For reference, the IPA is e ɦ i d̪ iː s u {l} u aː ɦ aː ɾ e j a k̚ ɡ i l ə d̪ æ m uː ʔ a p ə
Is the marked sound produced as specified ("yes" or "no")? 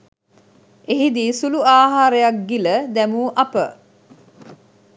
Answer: yes